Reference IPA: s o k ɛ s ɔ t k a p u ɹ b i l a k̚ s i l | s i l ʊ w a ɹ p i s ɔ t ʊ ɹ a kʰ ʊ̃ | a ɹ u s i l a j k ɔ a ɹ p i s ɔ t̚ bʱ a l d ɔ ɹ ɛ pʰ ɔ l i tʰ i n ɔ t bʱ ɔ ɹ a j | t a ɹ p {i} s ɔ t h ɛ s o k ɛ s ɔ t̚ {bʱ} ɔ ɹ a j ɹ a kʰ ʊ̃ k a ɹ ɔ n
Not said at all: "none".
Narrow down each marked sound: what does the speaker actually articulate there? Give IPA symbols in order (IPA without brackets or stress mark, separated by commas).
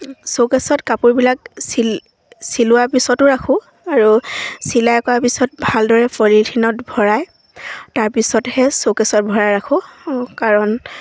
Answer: i, bʱ